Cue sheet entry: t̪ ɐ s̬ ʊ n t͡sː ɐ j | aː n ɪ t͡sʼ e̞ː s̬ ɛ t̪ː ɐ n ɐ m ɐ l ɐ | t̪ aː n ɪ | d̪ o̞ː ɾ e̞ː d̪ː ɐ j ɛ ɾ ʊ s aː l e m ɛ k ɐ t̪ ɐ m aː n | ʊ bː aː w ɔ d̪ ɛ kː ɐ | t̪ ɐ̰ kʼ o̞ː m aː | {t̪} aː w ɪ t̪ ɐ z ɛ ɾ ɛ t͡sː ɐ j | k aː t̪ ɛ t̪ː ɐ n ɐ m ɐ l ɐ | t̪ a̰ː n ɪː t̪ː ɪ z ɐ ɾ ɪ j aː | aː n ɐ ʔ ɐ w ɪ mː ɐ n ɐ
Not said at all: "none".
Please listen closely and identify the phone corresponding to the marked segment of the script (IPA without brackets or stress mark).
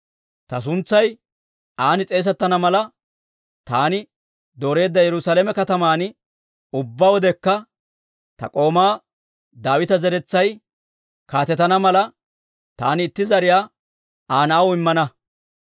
d̪